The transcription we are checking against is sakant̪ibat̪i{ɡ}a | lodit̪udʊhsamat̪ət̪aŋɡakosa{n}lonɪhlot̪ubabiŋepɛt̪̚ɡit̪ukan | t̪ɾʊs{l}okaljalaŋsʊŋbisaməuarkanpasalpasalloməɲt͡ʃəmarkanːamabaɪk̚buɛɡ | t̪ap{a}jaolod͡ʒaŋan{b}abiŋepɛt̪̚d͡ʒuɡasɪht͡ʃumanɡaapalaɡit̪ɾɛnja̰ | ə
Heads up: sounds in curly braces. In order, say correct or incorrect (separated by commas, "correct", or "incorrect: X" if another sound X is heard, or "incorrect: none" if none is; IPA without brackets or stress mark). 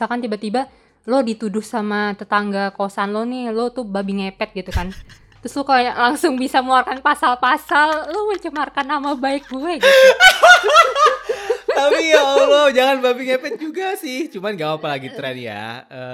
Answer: incorrect: b, correct, correct, incorrect: i, correct